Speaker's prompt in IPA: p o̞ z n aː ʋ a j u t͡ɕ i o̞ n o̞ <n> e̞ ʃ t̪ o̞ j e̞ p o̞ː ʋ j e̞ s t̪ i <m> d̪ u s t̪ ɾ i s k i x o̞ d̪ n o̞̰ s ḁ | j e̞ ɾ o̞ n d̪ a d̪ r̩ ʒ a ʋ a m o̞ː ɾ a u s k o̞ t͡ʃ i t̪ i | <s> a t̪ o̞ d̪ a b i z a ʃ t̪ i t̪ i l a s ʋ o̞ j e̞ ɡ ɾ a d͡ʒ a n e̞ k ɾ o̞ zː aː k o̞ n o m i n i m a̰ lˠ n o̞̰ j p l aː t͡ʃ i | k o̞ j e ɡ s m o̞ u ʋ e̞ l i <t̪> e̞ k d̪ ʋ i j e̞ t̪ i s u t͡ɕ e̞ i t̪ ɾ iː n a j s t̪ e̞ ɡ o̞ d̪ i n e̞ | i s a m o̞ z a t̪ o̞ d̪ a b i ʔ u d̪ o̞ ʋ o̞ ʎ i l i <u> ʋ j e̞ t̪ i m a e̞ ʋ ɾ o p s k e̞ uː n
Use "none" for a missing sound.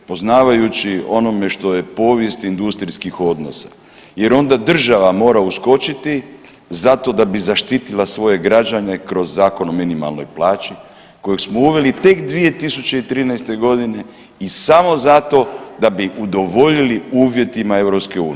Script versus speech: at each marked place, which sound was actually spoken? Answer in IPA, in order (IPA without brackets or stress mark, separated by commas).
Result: m, n, z, t̪, uː